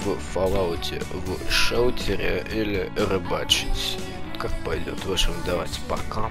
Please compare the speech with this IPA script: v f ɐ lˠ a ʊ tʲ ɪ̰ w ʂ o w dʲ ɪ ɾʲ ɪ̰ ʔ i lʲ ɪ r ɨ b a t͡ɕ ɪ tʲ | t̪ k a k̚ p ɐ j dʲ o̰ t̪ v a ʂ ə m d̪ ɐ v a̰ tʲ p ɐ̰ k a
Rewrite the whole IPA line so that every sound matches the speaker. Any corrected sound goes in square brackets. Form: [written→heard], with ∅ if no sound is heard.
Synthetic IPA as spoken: v f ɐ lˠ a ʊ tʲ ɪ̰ [w→v] ʂ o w [dʲ→tʲ] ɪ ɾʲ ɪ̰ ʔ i lʲ ɪ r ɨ b a t͡ɕ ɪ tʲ | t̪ k a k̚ p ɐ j dʲ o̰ t̪ v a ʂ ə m d̪ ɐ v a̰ tʲ p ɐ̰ k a